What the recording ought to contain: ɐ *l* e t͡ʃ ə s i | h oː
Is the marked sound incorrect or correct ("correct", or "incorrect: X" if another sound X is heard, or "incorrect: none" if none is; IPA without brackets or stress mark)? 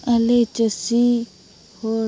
correct